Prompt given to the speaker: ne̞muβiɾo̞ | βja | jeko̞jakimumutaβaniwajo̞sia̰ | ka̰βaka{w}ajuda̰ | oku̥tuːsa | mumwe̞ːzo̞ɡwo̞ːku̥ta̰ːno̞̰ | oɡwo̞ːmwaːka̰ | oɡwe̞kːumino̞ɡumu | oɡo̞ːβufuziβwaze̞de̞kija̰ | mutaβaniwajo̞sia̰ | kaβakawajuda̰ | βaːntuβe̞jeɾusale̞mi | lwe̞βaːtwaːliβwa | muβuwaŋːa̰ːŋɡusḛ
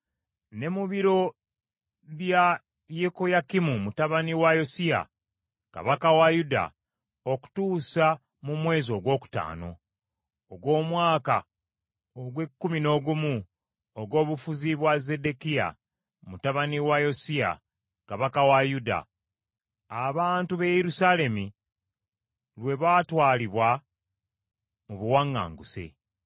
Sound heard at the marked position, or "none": w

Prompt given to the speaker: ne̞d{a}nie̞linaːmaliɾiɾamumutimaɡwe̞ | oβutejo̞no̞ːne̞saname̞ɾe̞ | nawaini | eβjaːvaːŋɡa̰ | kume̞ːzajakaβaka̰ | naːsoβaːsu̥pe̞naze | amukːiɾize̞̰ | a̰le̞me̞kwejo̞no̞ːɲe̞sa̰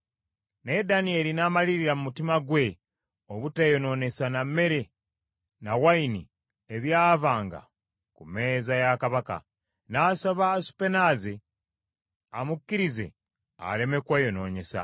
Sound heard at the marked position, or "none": a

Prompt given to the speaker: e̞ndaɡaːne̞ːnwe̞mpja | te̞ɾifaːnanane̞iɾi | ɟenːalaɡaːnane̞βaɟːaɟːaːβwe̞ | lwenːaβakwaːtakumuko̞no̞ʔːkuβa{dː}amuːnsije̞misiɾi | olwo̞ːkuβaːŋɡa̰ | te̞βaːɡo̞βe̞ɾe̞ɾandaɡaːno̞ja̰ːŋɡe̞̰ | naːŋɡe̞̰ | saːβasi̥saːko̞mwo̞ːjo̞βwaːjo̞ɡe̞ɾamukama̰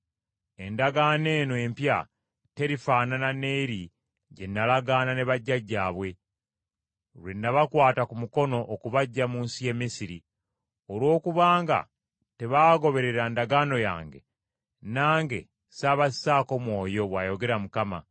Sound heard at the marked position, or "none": ɟː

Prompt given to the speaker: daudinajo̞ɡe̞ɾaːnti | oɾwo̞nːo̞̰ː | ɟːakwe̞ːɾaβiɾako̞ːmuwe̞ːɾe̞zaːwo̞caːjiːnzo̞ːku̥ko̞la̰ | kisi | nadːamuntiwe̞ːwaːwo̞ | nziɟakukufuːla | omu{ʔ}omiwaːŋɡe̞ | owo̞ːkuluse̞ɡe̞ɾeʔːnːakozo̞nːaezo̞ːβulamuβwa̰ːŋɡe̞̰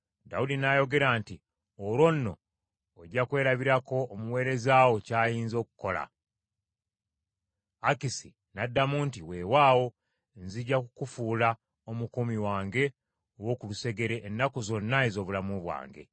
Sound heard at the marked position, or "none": k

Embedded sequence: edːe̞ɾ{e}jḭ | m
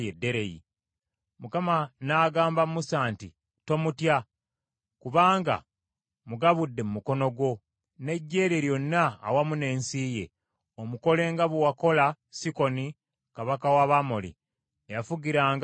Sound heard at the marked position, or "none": e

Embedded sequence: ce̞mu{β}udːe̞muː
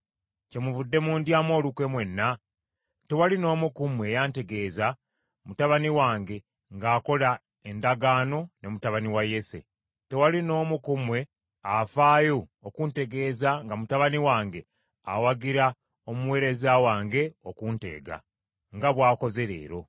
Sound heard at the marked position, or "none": v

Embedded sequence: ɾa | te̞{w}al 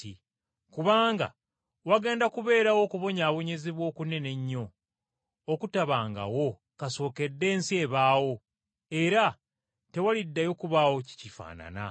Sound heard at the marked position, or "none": w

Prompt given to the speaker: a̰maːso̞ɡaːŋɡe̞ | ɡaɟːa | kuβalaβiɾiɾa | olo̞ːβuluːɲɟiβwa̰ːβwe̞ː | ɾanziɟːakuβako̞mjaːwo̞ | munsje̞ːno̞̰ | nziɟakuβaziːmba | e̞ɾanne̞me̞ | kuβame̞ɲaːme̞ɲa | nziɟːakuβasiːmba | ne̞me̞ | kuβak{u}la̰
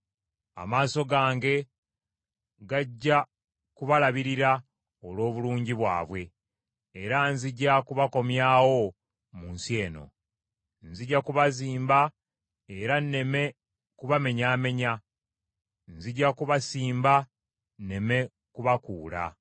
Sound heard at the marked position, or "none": uː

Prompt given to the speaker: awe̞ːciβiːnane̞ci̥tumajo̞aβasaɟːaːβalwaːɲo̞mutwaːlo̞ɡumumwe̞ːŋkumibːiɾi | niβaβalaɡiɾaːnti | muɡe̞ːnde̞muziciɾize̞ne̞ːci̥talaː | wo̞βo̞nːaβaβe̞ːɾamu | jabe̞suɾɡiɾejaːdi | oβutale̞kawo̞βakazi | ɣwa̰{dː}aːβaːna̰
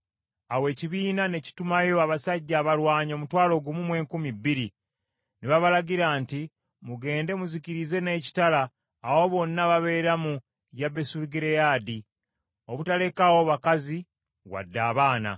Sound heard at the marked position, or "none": dː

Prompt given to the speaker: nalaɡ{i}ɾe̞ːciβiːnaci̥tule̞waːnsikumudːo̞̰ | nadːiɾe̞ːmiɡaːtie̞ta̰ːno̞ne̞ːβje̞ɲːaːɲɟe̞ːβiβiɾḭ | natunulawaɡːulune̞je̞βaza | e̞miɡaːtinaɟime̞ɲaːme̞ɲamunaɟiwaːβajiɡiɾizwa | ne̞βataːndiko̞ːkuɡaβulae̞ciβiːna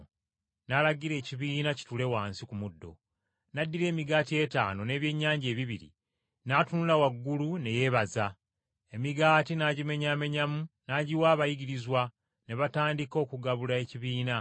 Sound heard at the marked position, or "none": i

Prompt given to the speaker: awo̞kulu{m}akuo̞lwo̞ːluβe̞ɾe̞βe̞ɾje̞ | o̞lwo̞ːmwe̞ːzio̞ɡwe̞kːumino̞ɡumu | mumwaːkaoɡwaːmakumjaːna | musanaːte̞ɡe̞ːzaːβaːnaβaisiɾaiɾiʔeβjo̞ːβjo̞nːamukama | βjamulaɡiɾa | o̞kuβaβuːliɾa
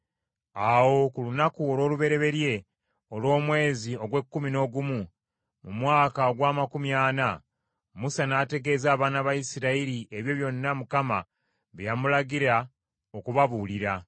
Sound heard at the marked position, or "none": n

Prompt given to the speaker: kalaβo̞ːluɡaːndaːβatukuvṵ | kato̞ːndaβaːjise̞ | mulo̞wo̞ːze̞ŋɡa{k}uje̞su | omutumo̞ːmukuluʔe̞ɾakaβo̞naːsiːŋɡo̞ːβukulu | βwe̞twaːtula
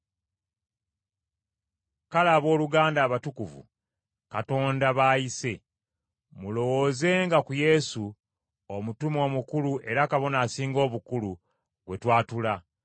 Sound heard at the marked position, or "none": k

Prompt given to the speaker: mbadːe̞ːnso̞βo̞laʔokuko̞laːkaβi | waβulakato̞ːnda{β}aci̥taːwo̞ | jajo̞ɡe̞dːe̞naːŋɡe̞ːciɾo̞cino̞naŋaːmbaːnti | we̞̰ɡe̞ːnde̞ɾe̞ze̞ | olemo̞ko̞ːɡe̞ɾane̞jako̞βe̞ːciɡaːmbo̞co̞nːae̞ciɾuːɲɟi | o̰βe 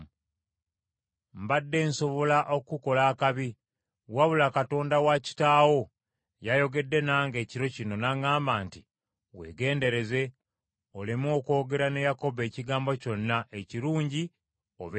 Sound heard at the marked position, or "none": w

